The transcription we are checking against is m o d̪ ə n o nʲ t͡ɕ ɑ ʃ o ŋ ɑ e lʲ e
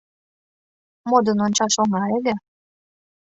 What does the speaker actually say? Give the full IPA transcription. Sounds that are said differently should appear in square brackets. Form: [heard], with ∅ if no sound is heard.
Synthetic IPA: m o d̪ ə n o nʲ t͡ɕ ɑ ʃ o ŋ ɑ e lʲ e